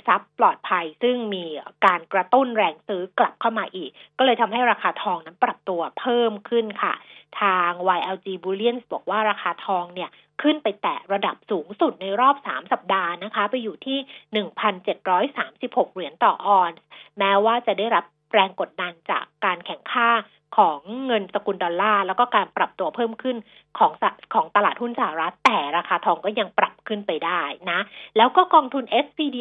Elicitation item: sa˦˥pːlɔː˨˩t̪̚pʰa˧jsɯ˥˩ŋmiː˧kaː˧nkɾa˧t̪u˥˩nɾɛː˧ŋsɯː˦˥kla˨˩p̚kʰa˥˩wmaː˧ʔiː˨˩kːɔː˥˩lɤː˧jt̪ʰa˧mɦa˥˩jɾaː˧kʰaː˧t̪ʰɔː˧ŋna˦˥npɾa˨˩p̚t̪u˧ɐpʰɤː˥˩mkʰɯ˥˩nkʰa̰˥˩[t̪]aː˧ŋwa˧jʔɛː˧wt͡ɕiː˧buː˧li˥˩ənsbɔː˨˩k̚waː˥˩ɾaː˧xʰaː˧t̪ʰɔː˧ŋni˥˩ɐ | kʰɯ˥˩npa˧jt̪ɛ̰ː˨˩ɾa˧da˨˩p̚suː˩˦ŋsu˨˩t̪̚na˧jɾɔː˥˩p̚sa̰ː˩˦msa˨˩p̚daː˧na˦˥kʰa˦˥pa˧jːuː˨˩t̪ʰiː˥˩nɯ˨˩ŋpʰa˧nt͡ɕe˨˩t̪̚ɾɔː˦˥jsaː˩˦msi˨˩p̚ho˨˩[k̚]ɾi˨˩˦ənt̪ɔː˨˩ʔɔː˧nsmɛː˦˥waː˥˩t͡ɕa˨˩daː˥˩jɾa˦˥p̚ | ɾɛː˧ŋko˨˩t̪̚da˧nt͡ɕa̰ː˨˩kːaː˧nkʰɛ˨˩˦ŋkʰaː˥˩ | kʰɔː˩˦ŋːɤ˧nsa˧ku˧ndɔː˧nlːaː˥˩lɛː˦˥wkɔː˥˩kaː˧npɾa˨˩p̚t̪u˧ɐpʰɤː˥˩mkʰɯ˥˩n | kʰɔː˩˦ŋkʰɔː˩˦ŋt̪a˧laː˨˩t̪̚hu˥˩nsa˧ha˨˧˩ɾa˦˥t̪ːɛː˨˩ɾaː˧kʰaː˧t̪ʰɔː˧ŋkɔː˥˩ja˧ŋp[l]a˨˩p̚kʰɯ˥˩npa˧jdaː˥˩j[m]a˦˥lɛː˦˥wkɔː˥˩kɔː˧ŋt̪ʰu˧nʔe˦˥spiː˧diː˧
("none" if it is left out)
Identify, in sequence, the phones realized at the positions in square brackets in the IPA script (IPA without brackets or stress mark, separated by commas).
t̪ʰ, k̚, ɾ, n